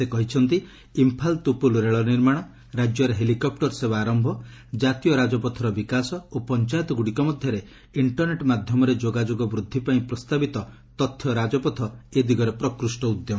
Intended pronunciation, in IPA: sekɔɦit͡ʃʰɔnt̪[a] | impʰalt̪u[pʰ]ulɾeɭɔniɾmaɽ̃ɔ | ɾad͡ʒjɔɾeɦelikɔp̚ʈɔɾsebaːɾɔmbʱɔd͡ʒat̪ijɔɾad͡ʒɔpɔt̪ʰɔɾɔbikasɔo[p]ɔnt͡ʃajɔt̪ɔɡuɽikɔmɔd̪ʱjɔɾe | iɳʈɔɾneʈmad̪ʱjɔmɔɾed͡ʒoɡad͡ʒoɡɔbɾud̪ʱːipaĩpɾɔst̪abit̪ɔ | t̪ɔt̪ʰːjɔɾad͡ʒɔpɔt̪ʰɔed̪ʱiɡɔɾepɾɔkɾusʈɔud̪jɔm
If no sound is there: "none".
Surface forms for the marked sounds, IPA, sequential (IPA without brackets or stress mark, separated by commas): i, p, p